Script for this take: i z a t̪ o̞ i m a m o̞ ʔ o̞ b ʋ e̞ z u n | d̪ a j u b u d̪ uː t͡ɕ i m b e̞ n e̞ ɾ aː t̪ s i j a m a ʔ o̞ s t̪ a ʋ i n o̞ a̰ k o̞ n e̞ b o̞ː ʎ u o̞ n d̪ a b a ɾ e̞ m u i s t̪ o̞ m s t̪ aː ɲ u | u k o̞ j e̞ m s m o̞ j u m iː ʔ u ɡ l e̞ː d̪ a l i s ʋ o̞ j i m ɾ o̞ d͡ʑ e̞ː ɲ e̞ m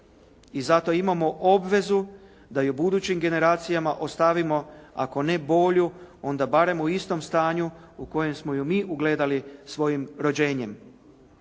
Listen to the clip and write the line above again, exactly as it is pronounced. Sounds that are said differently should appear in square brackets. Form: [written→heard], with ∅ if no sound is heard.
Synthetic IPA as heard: i z a t̪ o̞ i m a m o̞ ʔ o̞ b ʋ e̞ z u [n→∅] | d̪ a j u b u d̪ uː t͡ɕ i m [b→ɡ] e̞ n e̞ ɾ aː t̪ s i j a m a ʔ o̞ s t̪ a ʋ i [n→m] o̞ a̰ k o̞ n e̞ b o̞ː ʎ u o̞ n d̪ a b a ɾ e̞ m u i s t̪ o̞ m s t̪ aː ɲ u | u k o̞ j e̞ m s m o̞ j u m iː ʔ u ɡ l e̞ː d̪ a l i s ʋ o̞ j i m ɾ o̞ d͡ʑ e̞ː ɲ e̞ m